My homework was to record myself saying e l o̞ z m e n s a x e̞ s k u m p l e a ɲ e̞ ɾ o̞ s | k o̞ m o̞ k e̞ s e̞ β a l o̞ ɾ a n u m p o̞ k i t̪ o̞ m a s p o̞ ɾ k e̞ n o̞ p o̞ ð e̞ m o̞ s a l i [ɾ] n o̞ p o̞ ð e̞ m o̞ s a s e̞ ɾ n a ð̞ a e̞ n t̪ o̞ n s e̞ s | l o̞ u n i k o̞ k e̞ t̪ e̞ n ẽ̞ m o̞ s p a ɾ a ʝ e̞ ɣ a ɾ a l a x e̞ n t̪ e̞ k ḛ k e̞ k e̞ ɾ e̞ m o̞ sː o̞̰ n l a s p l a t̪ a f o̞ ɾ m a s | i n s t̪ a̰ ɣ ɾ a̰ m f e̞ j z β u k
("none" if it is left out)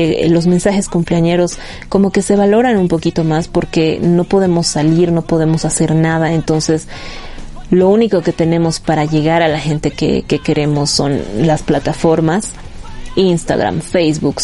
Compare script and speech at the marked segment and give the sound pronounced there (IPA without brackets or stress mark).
ɾ